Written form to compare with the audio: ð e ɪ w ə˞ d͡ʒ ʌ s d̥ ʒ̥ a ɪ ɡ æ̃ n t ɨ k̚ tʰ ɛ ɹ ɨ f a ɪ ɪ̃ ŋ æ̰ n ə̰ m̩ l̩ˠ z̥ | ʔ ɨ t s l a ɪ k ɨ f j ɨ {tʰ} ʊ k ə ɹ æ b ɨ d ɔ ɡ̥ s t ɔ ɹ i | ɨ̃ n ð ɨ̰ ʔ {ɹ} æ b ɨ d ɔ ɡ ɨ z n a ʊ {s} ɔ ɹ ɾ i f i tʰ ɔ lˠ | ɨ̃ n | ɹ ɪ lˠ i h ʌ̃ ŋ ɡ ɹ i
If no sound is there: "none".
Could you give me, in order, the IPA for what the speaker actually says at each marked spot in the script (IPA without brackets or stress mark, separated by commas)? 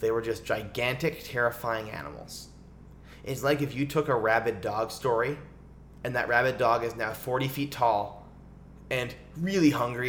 tʰ, ɹ, f